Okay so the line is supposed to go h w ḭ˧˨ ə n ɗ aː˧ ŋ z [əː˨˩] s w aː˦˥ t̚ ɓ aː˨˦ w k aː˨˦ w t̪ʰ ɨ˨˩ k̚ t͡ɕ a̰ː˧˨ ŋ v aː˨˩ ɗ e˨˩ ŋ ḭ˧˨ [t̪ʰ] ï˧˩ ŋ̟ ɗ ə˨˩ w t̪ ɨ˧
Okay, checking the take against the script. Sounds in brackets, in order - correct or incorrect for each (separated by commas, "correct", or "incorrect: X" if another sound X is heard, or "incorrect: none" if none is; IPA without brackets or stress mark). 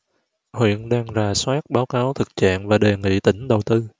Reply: incorrect: aː˨˩, incorrect: t̪